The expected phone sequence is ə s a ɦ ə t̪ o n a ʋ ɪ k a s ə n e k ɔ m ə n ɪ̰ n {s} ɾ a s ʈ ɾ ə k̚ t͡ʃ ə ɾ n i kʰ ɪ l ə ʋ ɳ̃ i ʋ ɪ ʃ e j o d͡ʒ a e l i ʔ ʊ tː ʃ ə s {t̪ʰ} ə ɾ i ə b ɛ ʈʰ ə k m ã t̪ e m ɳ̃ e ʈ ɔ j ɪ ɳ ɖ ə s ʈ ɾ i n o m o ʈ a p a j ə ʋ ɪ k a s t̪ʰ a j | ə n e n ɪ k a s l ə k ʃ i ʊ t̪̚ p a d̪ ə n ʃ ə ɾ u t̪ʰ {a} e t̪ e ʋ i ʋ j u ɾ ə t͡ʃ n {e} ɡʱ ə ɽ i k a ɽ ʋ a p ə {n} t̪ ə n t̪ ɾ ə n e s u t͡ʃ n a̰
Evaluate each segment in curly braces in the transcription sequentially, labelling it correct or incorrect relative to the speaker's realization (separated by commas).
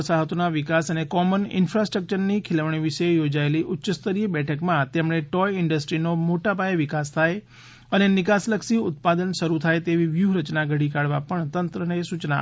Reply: incorrect, incorrect, correct, incorrect, incorrect